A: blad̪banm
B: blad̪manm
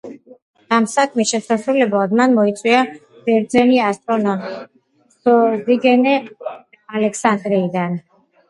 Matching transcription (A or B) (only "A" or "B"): B